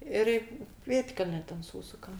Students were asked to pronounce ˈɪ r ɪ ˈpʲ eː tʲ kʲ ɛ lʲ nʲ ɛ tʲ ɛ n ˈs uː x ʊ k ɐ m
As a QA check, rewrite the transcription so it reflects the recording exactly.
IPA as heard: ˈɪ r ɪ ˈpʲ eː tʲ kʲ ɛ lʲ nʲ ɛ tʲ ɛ n ˈs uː s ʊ k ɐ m